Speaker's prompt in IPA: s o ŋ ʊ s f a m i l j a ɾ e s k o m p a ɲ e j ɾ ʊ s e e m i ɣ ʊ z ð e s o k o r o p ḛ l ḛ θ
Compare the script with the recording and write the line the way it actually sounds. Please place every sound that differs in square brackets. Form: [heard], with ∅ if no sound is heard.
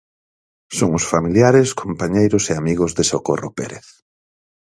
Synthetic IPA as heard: s o ŋ ʊ s f a m i l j a ɾ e s k o m p a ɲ e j ɾ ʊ s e [a] m i ɣ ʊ z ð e s o k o r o p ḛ [ɾ] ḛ θ